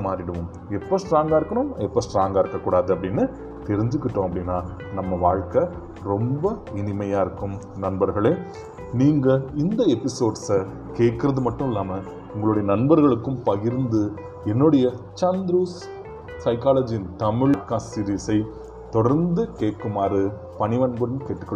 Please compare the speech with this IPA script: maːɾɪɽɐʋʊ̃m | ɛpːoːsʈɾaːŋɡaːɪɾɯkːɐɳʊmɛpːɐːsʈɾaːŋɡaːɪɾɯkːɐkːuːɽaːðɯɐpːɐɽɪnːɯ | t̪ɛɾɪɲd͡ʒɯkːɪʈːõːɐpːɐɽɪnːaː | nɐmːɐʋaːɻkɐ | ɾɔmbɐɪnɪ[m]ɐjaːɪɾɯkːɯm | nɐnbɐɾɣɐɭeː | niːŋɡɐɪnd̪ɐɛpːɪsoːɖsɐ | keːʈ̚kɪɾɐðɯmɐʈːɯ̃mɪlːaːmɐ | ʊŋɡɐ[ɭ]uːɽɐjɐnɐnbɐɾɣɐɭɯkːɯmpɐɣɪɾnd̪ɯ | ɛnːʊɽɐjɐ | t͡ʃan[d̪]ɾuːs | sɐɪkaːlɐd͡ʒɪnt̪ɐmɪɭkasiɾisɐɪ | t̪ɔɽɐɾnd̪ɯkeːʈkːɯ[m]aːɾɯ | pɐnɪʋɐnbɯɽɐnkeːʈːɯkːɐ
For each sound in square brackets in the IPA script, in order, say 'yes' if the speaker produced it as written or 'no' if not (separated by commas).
yes, yes, yes, yes